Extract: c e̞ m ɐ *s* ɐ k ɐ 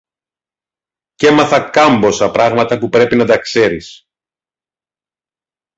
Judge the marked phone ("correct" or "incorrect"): incorrect